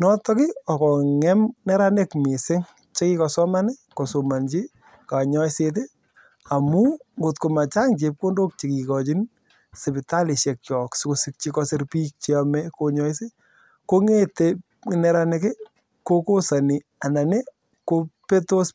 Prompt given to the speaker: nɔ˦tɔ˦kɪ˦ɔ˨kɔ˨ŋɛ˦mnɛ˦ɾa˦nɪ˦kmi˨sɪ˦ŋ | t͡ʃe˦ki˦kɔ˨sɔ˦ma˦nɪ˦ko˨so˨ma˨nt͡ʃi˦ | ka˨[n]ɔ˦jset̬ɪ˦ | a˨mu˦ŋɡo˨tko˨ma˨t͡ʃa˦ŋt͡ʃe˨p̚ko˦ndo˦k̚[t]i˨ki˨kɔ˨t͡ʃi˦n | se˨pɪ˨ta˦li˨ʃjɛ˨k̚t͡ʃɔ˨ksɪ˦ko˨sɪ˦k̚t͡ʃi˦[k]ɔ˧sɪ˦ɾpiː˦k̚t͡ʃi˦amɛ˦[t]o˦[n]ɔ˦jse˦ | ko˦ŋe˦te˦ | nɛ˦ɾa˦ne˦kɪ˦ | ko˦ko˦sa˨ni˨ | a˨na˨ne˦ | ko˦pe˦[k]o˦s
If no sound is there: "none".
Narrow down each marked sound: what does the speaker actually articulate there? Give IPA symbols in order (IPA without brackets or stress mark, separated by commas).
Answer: ɲ, t͡ʃ, k, k, ɲ, t